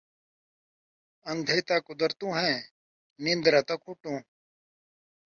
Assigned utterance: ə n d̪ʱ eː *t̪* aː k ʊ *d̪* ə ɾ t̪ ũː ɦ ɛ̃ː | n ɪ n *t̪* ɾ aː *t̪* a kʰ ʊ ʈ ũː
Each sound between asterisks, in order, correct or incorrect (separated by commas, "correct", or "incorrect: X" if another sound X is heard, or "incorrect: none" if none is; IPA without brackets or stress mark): correct, correct, incorrect: d̪, correct